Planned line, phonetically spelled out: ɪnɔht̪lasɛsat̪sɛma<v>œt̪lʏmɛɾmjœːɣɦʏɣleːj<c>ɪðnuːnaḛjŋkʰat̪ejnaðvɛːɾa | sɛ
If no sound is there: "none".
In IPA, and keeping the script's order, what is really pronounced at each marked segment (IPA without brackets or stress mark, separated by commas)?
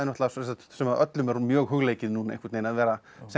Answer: ð, c